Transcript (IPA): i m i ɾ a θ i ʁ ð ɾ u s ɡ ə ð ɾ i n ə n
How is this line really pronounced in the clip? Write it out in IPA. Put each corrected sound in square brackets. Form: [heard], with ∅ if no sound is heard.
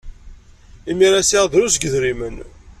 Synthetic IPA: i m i ɾ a [s] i ʁ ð ɾ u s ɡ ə ð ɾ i [m] ə n